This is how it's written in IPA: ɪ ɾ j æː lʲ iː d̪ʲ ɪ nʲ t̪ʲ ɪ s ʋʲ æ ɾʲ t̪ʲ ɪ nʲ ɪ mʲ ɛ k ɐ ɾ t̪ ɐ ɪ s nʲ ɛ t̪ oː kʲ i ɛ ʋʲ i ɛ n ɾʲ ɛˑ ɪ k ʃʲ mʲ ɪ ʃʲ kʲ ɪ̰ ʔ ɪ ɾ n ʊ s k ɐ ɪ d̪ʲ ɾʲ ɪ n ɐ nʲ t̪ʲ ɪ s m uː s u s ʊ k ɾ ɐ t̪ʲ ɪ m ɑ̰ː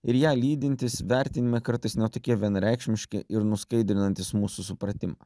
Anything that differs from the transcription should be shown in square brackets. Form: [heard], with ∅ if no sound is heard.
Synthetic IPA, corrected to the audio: ɪ ɾ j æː lʲ iː d̪ʲ ɪ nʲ t̪ʲ ɪ s ʋʲ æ ɾʲ t̪ʲ ɪ nʲ ɪ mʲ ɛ k ɐ ɾ t̪ ɐ ɪ s nʲ ɛ t̪ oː kʲ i ɛ ʋʲ i ɛ n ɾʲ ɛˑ ɪ k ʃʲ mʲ ɪ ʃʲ kʲ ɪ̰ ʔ ɪ ɾ n ʊ s k ɐ ɪ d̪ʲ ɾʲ ɪ n ɐ nʲ t̪ʲ ɪ s m uː s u s ʊ [p] ɾ ɐ t̪ʲ ɪ m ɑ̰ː